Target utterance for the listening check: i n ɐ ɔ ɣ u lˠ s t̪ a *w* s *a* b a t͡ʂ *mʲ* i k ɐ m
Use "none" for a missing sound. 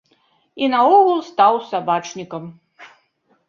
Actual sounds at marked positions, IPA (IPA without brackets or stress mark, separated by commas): w, a, nʲ